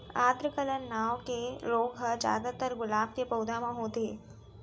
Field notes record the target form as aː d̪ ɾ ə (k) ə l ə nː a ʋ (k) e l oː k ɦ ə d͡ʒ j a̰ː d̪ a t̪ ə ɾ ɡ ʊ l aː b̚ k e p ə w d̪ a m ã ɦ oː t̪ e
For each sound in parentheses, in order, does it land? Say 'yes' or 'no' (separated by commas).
yes, yes